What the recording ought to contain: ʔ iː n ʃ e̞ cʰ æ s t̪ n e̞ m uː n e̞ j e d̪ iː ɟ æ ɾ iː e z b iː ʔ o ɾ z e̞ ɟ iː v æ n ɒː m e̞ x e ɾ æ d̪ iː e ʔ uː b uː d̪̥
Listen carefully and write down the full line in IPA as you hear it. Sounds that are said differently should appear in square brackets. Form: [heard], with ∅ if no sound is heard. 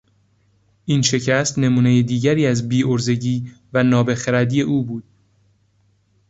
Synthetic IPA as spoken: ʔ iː n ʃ e̞ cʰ æ s t̪ n e̞ m uː n e̞ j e d̪ iː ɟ æ ɾ iː [æ] z b iː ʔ o ɾ z e̞ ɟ iː v æ n ɒː [b] e̞ x e ɾ æ d̪ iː e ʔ uː b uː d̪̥